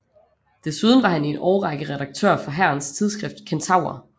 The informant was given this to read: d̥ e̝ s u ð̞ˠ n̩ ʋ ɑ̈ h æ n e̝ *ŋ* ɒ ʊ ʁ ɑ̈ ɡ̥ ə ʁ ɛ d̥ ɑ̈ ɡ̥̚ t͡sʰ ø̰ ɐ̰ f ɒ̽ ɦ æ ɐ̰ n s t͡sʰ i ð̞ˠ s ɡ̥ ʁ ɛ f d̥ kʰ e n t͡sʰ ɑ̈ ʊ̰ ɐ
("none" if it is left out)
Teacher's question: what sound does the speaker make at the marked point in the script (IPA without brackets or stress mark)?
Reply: n